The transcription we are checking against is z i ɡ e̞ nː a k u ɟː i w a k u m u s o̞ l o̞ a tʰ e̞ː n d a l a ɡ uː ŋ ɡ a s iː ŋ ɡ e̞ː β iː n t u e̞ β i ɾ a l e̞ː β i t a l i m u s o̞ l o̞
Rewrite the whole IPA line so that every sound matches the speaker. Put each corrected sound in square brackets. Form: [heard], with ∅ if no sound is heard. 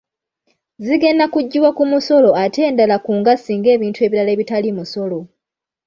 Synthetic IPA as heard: z i ɡ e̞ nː a k u ɟː i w a k u m u s o̞ l o̞ a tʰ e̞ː n d a l a [k] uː ŋ ɡ a s iː ŋ ɡ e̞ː β iː n t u e̞ β i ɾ a l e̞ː β i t a l i m u s o̞ l o̞